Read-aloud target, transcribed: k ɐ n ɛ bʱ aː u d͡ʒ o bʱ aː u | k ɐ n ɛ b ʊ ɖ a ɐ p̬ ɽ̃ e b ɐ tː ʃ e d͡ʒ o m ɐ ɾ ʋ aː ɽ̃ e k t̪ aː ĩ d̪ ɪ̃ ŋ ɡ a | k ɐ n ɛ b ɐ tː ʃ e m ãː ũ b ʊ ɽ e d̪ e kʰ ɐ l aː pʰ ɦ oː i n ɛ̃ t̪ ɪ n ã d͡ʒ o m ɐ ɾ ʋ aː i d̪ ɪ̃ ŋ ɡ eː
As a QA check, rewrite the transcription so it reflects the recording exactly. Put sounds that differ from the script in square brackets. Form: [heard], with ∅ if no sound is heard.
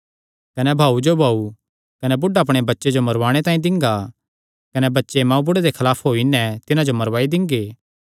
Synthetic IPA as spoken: k ɐ n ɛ bʱ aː u d͡ʒ o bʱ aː u | k ɐ n ɛ b ʊ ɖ a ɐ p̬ ɽ̃ e b ɐ tː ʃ e d͡ʒ o m ɐ ɾ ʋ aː ɽ̃ e [∅] t̪ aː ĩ d̪ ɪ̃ ŋ ɡ a | k ɐ n ɛ b ɐ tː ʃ e m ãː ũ b ʊ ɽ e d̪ e kʰ ɐ l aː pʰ ɦ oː i n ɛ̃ t̪ ɪ n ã d͡ʒ o m ɐ ɾ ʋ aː i d̪ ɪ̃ ŋ ɡ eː